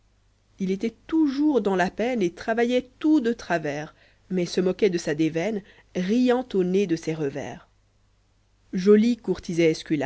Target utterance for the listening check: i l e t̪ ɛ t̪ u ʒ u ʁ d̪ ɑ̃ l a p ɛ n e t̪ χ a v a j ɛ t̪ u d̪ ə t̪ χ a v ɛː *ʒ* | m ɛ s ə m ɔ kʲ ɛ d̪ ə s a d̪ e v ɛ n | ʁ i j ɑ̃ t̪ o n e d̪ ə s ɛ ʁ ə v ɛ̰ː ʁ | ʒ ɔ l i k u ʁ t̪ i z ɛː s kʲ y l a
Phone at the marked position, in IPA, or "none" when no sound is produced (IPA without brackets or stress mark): ʁ